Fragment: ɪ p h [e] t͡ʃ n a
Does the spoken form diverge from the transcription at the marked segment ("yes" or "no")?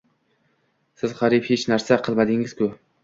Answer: no